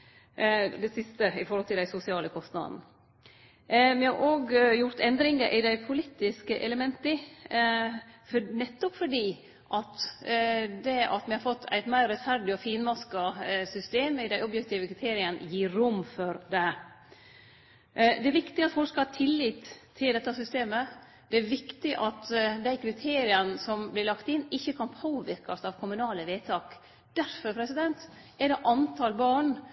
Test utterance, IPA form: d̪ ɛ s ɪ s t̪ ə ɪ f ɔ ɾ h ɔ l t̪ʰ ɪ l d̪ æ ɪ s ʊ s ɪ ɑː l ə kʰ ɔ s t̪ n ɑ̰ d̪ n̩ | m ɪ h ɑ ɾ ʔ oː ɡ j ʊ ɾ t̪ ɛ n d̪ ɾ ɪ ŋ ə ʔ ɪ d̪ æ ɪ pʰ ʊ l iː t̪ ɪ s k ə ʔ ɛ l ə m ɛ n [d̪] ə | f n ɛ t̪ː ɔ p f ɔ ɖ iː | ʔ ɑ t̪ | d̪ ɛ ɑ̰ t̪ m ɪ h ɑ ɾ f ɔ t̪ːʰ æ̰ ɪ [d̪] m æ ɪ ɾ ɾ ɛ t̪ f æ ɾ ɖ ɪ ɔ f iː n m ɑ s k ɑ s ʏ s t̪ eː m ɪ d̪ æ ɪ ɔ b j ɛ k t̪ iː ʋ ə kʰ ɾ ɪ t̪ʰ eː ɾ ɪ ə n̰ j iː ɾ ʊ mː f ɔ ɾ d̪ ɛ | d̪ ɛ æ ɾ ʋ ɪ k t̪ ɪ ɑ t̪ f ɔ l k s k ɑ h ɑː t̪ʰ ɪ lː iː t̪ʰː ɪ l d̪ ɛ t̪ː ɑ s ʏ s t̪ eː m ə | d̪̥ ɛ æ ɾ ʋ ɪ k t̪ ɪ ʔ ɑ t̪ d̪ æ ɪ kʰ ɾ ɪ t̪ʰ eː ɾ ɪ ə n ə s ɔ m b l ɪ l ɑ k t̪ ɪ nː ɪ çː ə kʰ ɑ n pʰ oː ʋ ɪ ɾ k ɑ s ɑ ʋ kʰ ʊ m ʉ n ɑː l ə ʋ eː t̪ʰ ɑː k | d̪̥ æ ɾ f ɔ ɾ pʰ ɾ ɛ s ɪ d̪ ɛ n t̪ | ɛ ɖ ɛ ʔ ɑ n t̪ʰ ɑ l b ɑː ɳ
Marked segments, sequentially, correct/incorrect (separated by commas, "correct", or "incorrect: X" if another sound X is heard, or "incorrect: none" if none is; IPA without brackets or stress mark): incorrect: t̪, incorrect: t̪